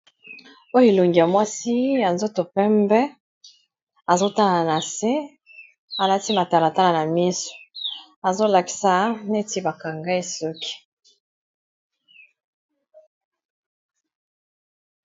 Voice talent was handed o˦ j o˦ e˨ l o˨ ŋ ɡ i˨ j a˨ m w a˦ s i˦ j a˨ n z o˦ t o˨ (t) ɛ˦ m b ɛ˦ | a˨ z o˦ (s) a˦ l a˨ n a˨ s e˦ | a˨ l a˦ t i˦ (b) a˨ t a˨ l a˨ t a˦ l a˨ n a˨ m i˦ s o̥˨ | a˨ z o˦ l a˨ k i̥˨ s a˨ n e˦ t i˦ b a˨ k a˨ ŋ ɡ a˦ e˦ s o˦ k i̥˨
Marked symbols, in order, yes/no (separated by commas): no, no, no